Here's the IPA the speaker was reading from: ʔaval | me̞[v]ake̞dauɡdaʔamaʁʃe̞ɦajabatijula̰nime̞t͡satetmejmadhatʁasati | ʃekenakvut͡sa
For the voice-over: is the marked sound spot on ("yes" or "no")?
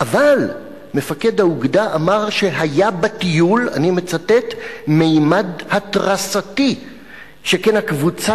no